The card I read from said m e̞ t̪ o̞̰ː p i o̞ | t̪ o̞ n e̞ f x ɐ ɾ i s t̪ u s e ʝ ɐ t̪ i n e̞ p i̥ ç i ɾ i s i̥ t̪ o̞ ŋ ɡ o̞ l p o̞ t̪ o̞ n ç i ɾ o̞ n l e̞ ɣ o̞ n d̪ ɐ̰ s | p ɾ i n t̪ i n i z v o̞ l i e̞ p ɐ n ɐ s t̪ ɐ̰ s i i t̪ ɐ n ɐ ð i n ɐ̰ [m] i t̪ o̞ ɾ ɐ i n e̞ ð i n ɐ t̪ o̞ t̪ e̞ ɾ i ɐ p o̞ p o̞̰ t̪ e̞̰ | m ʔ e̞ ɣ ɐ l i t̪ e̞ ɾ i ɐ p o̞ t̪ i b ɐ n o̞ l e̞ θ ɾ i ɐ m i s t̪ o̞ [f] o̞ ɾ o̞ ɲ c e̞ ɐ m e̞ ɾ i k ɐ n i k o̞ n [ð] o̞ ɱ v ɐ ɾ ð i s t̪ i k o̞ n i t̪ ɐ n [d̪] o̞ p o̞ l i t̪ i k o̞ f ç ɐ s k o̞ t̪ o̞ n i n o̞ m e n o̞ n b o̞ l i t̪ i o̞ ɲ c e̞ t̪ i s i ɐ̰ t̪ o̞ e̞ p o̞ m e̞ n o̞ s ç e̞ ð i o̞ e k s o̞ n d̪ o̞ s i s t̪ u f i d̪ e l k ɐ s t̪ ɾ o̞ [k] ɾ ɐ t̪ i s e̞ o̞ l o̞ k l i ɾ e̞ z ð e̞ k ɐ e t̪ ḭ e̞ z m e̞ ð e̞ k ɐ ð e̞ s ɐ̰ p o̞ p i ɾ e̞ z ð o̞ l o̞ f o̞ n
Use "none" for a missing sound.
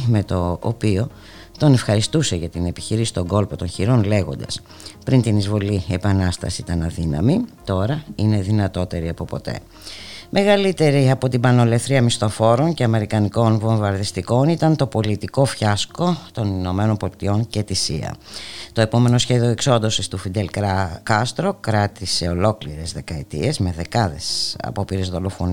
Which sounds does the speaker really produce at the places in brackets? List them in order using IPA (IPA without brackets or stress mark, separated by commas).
m, f, v, t̪, k